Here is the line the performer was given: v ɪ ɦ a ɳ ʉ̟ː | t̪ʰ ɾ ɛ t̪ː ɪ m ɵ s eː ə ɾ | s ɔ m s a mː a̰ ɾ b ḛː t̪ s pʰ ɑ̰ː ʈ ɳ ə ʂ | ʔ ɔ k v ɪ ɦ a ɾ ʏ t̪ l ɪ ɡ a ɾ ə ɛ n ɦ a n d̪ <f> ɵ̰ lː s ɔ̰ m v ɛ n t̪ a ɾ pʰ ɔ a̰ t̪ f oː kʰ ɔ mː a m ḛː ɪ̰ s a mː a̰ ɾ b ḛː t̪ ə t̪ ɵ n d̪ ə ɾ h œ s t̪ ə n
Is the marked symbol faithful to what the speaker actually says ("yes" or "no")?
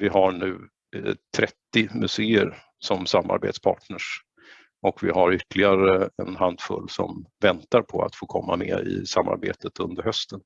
yes